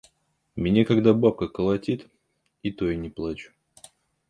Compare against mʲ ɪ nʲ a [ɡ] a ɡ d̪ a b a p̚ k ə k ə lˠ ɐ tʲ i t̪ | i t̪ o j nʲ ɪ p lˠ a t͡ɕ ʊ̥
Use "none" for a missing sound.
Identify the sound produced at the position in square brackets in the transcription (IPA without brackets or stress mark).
k